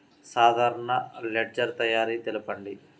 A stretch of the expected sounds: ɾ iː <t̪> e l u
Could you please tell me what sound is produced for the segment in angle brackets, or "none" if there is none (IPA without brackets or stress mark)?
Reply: t̪